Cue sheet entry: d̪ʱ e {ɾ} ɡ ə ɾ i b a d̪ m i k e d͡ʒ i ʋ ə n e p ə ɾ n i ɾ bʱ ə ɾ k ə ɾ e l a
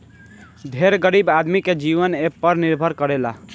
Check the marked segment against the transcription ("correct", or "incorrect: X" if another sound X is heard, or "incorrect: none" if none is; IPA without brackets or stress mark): correct